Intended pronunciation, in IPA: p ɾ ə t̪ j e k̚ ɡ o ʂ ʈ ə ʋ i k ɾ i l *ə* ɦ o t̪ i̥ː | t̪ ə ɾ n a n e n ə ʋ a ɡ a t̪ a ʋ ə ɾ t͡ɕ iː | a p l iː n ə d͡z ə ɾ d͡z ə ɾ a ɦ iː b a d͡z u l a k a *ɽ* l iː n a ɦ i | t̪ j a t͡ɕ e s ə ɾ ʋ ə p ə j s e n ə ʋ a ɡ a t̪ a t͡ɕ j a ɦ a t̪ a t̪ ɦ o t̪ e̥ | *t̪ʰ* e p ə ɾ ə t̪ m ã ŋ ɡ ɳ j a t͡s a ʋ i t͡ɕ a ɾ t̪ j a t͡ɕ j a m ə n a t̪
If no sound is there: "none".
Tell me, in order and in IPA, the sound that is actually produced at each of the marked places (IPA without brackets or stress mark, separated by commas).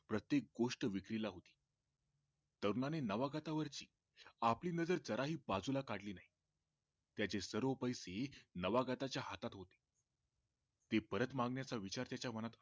a, ɽ, t̪